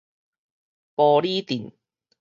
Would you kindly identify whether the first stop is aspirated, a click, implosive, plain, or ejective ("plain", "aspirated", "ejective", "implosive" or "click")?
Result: plain